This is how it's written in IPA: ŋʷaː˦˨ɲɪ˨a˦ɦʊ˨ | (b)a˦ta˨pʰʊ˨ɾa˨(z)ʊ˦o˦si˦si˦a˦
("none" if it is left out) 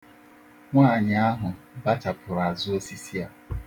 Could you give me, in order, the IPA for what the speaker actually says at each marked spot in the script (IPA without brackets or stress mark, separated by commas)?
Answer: b, z